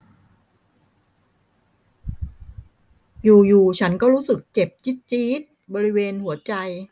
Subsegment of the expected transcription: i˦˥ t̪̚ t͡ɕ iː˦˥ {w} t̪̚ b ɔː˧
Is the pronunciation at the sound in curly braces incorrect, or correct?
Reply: incorrect